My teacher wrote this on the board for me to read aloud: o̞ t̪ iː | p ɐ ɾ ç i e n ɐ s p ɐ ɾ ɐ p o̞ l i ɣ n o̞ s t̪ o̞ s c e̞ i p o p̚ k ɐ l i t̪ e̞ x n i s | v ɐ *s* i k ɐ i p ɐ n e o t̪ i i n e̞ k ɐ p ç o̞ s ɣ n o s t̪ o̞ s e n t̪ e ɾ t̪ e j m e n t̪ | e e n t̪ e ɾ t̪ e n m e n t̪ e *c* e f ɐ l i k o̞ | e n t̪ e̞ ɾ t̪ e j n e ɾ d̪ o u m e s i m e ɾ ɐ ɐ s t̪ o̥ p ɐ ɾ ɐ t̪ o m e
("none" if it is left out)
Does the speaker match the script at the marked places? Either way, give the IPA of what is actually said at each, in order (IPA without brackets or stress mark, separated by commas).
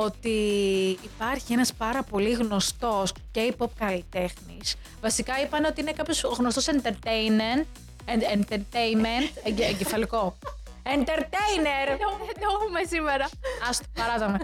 s, ɟ